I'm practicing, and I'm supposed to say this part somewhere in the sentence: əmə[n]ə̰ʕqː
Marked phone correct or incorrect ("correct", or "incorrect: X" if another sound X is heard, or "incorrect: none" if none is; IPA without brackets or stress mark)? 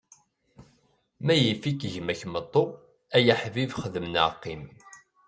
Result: correct